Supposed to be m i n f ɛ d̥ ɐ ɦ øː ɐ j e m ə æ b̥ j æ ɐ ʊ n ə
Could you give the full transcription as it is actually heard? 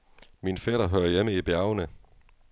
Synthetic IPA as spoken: m i n f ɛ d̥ ɐ ɦ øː ɐ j e m ə i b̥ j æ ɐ ʊ n ə

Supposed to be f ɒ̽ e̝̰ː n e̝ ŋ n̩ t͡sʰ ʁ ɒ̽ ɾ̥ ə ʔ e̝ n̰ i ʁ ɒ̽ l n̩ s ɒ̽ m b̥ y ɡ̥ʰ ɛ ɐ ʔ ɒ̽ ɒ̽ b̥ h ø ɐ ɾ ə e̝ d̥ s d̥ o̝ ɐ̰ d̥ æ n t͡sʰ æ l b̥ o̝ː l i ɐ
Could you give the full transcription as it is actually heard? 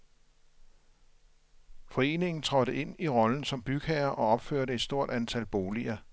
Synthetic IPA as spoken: f ɒ̽ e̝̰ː n e̝ ŋ n̩ t͡sʰ ʁ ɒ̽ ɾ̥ ə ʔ e̝ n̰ i ʁ ɒ̽ l n̩ s ɒ̽ m b̥ y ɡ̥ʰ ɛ ɐ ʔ ɒ̽ ɒ̽ b̥ f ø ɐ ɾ ə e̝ d̥ s d̥ o̝ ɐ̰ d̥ æ n t͡sʰ æ l b̥ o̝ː l i ɐ

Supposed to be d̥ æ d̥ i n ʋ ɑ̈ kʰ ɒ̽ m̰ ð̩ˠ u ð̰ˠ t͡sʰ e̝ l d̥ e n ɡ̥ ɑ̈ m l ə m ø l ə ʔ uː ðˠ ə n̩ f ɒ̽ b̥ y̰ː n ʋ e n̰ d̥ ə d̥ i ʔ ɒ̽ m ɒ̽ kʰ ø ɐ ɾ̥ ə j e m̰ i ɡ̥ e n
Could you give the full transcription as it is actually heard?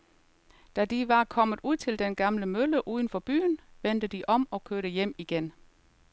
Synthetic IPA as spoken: d̥ æ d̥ i ʋ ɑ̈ kʰ ɒ̽ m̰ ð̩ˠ u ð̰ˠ t͡sʰ e̝ l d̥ e n ɡ̥ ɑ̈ m l ə m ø l ə ʔ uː ðˠ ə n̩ f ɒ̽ b̥ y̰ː n ʋ e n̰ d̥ ə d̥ i ʔ ɒ̽ m ɒ̽ kʰ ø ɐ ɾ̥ ə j e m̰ i ɡ̥ e n

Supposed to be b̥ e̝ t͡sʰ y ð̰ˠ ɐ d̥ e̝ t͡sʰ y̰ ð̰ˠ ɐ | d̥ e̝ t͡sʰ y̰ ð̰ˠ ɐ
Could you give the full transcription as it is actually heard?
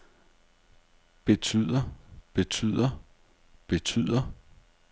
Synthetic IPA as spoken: b̥ e̝ t͡sʰ y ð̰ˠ ɐ b̥ e̝ t͡sʰ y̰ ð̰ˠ ɐ | b̥ e̝ t͡sʰ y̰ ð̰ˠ ɐ

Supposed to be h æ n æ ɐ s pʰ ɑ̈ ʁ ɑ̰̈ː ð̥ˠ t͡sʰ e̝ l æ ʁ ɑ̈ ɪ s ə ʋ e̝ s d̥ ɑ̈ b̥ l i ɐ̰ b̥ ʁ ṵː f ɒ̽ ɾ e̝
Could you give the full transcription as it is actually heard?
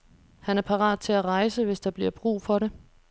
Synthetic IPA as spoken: h æ n æ ɐ pʰ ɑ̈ ʁ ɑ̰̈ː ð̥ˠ t͡sʰ e̝ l æ ʁ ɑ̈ ɪ s ə ʋ e̝ s d̥ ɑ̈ b̥ l i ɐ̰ b̥ ʁ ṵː f ɒ̽ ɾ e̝

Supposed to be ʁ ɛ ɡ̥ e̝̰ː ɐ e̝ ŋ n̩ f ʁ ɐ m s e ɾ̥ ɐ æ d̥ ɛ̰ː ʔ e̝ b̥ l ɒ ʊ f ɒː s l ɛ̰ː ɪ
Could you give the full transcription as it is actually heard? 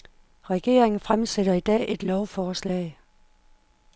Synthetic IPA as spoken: ʁ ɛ ɡ̥ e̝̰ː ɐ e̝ ŋ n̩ f ʁ a m s e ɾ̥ ɐ i d̥ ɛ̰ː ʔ e̝ d̥ l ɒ ʊ f ɒː s l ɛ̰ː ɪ

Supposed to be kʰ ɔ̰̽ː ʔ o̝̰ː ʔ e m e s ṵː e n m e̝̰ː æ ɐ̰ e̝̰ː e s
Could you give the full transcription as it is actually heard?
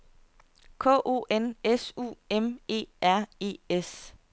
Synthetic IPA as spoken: kʰ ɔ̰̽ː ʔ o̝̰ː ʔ e n e s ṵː e m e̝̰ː æ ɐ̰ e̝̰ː e s

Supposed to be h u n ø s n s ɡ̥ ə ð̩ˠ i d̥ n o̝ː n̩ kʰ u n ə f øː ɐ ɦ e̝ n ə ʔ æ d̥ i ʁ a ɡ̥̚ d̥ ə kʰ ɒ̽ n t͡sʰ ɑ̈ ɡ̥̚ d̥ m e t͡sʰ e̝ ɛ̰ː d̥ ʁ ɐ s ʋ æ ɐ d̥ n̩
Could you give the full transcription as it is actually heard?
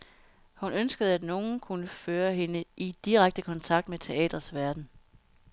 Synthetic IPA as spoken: h u n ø n s ɡ̥ ə ð̩ˠ æ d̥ n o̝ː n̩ kʰ u n ə f øː ɐ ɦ e̝ n ə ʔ i d̥ i ʁ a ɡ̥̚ d̥ ə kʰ ɒ̽ n t͡sʰ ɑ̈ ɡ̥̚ d̥ m e t͡sʰ e̝ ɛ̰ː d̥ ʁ ɐ s ʋ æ ɐ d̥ n̩

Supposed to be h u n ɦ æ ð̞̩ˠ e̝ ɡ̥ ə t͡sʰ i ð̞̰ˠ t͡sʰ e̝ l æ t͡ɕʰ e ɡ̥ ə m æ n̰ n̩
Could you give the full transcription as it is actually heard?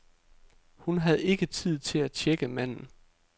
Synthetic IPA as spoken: h u n ɦ æ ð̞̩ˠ e̝ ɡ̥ ə t͡sʰ i ð̞̰ˠ t͡sʰ e̝ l æ t͡ɕʰ e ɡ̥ ə m æ n̰ n̩

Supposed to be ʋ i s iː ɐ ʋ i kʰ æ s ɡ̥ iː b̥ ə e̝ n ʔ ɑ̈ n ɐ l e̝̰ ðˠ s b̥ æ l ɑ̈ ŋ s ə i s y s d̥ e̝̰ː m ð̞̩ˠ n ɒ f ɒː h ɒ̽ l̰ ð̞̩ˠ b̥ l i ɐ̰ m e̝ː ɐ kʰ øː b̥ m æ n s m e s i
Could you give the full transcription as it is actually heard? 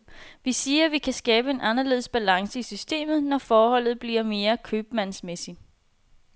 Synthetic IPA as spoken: ʋ i s iː ɐ ʋ i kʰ æ s ɡ̥ ɛː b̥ ə e̝ n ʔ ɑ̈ n ɐ l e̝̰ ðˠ s b̥ æ l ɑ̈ ŋ s ə i s y s d̥ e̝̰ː m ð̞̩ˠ n ɒ f ɒː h ɒ̽ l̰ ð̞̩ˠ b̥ l i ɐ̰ m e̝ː ɐ kʰ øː b̥ m æ n s m e s i

